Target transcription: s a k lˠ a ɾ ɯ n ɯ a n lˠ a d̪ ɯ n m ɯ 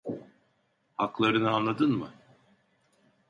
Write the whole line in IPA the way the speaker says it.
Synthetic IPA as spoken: h a k lˠ a ɾ ɯ n ɯ a n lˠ a d̪ ɯ n m ɯ